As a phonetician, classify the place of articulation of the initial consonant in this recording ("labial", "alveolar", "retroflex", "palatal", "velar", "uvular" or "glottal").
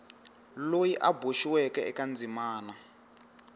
alveolar